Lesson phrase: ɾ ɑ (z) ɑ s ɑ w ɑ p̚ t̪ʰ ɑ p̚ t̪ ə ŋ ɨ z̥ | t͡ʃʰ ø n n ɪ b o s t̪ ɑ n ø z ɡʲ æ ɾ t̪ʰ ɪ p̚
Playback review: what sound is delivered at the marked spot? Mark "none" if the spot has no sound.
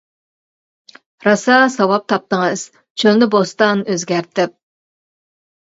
s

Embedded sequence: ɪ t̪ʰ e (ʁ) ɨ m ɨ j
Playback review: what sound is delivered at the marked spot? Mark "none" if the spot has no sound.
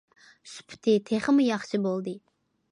χ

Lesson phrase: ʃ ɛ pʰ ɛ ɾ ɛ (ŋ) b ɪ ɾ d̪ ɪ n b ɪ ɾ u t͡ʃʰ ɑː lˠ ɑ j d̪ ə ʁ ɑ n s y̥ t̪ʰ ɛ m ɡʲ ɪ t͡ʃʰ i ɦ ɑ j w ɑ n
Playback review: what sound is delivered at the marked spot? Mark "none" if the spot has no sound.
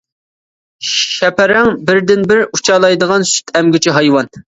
ŋ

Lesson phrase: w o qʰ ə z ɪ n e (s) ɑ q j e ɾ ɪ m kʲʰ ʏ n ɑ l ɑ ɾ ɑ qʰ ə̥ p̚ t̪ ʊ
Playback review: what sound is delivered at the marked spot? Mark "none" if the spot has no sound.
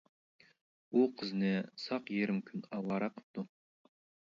s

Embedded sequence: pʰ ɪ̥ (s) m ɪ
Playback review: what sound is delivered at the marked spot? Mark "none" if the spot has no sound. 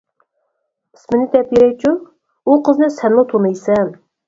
s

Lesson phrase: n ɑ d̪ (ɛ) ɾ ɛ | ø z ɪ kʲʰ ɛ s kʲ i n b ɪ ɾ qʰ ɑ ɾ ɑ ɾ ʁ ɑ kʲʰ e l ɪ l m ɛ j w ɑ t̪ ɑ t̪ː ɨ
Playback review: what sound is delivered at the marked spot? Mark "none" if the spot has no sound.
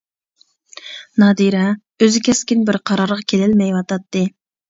i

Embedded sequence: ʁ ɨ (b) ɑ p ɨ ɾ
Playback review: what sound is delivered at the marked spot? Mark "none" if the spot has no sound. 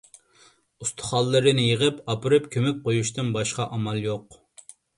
p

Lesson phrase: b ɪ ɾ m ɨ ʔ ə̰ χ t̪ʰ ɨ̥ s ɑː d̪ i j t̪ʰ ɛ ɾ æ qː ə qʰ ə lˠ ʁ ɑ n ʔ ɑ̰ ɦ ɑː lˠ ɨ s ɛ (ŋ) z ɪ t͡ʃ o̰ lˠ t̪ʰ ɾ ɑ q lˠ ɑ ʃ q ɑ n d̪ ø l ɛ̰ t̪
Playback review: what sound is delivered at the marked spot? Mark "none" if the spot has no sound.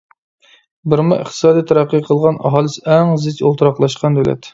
ŋ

